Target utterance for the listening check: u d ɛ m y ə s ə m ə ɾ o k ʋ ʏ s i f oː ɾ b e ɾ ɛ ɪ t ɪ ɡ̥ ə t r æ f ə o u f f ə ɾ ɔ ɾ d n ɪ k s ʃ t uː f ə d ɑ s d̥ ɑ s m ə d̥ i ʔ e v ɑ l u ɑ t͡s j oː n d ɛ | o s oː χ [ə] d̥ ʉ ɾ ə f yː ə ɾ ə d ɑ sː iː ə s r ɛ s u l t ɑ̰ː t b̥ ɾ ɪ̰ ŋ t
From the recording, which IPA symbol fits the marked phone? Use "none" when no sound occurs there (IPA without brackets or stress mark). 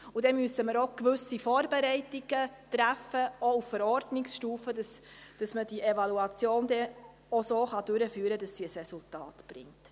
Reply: ɑ